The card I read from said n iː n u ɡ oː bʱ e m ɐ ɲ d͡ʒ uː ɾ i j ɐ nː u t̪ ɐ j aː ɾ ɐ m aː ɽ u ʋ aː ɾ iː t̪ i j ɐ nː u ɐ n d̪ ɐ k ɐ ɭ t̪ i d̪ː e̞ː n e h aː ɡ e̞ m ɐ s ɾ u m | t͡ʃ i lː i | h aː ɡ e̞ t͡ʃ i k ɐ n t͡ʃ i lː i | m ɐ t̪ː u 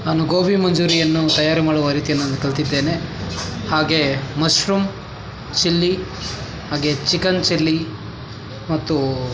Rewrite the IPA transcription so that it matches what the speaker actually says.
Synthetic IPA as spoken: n aː n u ɡ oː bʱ i m ɐ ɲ d͡ʒ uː ɾ i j ɐ nː u t̪ ɐ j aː ɾ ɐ m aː ɽ u ʋ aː ɾ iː t̪ i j ɐ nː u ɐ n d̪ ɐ k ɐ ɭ t̪ i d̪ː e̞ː n e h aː ɡ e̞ m ɐ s ɾ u m | t͡ʃ i lː i | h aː ɡ e̞ t͡ʃ i k ɐ n t͡ʃ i lː i | m ɐ t̪ː u